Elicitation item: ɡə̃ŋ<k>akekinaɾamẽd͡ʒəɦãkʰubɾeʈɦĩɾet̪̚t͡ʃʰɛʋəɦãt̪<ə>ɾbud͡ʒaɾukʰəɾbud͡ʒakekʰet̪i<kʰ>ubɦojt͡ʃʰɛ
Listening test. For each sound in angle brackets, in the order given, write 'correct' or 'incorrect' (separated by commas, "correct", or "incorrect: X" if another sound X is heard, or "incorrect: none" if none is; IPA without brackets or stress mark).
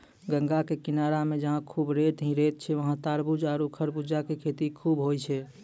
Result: incorrect: ɡ, incorrect: a, correct